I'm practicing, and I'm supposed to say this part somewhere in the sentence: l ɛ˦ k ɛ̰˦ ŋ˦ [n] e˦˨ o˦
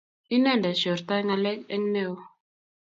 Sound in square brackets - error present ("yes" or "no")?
no